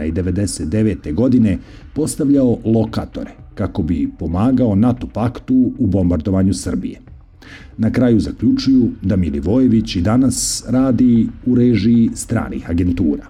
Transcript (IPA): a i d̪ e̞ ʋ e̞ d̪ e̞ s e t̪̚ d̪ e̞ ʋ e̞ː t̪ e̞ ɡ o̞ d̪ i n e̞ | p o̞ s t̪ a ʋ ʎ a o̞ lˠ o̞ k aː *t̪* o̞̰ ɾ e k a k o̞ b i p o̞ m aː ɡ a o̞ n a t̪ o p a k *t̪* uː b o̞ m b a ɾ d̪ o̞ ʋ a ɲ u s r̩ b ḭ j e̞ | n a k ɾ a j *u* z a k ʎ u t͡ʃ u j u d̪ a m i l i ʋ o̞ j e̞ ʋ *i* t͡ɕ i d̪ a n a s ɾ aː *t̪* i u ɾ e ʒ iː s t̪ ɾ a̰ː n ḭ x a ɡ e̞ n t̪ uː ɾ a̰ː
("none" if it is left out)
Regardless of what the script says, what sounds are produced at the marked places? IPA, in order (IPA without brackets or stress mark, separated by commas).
t̪, t̪, u, i, d̪